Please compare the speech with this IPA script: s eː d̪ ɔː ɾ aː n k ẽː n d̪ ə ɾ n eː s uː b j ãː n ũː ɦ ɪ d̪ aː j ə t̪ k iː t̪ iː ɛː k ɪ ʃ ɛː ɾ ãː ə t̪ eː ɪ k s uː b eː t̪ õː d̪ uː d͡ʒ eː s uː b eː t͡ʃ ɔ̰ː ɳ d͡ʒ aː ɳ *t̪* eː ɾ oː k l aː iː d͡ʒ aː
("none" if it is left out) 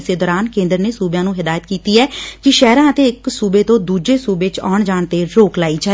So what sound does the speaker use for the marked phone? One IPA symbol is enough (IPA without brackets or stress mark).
t̪